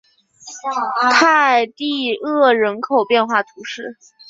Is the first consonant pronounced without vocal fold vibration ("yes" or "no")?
yes